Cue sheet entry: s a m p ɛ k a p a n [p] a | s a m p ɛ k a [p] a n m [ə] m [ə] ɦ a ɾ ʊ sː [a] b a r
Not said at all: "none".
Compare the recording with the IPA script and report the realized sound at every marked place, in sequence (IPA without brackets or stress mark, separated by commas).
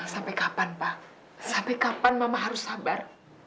p, p, a, a, a